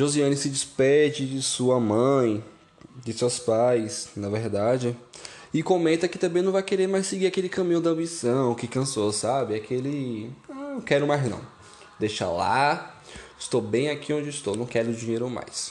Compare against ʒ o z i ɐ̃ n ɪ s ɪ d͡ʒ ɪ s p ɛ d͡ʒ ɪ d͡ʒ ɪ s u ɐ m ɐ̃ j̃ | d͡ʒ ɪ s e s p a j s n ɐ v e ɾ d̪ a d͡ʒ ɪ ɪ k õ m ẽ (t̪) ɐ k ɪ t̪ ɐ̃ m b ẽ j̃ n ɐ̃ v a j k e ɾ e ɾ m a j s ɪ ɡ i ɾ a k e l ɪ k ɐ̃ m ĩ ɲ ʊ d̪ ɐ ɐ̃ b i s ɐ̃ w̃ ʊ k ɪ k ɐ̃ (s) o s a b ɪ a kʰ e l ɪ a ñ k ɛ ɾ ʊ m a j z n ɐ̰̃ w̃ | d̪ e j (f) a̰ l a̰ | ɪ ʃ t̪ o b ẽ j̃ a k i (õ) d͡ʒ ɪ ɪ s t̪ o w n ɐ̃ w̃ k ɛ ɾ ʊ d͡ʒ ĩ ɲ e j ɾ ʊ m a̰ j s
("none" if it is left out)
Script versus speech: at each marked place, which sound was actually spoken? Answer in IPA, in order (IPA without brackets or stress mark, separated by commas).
t̪, s, ʃ, õ